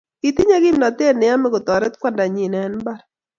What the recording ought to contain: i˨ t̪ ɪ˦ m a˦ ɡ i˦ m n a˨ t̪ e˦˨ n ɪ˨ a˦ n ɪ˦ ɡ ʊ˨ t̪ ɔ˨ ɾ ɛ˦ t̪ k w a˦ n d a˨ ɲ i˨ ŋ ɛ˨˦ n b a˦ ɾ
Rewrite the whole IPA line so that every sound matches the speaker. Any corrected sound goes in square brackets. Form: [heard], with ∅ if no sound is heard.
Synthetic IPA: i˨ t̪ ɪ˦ [ɲ] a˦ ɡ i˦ m n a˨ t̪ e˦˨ n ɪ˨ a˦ [m] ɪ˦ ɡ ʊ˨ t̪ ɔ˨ ɾ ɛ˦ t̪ k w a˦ n d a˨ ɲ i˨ [n] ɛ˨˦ n b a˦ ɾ